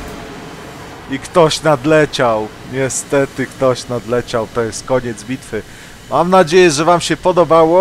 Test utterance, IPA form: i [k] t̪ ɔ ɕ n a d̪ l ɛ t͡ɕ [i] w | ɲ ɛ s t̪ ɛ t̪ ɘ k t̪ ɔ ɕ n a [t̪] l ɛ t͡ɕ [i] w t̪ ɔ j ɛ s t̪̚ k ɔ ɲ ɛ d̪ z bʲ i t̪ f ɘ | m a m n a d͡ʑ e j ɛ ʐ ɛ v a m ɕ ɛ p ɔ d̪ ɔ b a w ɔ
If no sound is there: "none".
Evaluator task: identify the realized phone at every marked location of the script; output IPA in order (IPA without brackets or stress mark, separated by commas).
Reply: k, a, d̪, a